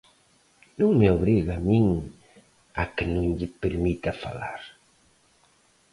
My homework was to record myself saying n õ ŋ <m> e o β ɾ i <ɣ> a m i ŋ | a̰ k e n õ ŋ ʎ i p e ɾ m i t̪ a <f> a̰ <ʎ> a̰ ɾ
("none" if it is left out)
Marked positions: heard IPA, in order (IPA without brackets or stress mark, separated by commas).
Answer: m, ɣ, f, l